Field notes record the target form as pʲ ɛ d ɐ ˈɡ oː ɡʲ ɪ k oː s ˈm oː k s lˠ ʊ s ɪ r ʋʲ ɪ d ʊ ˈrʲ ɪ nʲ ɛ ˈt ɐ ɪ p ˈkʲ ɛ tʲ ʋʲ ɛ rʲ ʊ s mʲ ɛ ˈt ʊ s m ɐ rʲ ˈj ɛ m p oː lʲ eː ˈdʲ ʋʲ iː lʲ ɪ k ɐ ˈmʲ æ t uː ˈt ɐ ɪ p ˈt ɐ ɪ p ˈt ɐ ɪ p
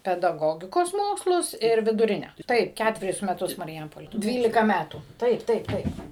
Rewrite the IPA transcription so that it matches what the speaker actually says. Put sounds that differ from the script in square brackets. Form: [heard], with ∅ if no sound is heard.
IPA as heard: pʲ ɛ d ɐ ˈɡ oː ɡʲ ɪ k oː s ˈm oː k s lˠ ʊ s ɪ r ʋʲ ɪ d ʊ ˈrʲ ɪ nʲ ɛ ˈt ɐ ɪ p ˈkʲ [æ] tʲ ʋʲ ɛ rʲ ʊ s mʲ ɛ ˈt ʊ s m ɐ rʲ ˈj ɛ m p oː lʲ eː ˈdʲ ʋʲ iː lʲ ɪ k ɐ ˈmʲ æ t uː ˈt ɐ ɪ p ˈt ɐ ɪ p ˈt ɐ ɪ p